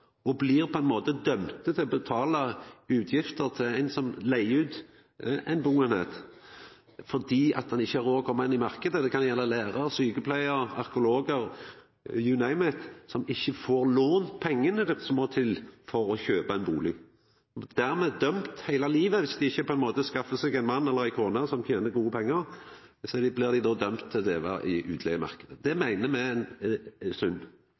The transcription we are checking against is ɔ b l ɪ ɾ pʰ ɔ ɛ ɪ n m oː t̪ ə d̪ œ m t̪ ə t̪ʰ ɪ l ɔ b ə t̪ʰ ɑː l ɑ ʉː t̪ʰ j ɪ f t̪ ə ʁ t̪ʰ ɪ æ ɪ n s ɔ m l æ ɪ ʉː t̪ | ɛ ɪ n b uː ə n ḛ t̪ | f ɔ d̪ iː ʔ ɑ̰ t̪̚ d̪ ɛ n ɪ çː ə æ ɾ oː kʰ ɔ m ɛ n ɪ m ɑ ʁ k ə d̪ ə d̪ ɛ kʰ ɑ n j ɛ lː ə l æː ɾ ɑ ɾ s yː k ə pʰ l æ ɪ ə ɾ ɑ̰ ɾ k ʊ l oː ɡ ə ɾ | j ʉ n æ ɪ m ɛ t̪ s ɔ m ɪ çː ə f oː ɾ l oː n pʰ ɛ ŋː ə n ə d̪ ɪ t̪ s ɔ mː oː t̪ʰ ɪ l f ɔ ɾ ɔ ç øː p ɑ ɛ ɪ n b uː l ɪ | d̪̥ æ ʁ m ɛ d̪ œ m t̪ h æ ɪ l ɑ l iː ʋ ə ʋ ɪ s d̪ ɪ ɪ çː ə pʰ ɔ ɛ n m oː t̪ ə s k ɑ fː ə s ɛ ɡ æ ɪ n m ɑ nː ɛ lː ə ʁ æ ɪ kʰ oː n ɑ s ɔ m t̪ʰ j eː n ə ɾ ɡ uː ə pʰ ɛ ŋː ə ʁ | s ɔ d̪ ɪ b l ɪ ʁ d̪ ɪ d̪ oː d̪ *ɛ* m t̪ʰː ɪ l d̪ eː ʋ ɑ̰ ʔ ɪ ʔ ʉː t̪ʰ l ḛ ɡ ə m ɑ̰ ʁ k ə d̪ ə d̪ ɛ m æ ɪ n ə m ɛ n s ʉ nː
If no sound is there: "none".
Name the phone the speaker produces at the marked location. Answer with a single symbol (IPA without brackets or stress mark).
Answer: œ